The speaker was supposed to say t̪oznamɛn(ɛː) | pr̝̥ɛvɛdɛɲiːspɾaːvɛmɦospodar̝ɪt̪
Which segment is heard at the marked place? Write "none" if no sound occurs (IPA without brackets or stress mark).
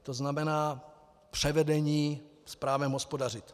aː